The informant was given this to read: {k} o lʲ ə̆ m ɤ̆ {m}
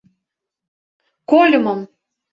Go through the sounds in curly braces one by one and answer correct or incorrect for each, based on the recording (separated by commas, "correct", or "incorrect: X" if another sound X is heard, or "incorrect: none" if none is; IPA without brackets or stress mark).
correct, correct